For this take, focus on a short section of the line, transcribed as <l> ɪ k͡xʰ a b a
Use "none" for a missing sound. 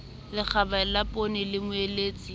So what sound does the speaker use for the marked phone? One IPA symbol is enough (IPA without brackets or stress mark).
l